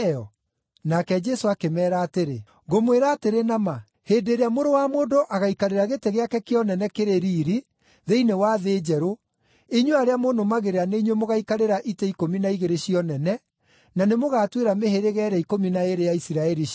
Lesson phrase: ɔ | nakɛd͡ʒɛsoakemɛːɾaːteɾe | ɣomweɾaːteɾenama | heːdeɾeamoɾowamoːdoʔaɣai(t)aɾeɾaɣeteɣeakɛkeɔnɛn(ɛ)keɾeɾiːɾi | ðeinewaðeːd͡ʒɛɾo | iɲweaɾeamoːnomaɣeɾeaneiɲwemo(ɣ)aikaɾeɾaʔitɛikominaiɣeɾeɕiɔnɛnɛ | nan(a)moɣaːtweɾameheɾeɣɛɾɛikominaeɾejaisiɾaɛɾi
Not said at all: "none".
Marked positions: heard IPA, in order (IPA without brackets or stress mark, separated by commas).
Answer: k, ɛ, ɣ, e